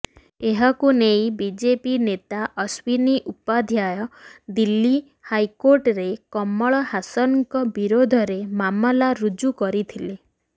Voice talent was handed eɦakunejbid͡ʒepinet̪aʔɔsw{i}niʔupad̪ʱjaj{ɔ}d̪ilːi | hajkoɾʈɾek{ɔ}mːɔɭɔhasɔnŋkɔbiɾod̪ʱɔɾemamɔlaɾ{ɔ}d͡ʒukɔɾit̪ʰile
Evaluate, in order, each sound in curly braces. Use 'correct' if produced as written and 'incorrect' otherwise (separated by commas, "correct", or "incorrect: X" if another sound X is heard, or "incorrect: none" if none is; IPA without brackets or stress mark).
correct, correct, correct, incorrect: u